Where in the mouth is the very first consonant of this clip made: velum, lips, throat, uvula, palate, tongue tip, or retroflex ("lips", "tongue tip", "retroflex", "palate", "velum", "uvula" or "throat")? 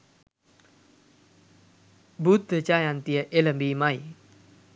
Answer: lips